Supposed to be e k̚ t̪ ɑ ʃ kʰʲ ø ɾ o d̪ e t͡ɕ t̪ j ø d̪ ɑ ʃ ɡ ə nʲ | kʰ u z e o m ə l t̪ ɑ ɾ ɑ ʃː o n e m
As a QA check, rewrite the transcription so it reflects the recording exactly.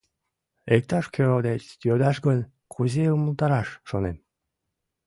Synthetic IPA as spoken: e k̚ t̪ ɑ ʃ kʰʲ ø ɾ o d̪ e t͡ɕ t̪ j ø d̪ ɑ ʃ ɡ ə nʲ | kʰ u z e u m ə l t̪ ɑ ɾ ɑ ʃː o n e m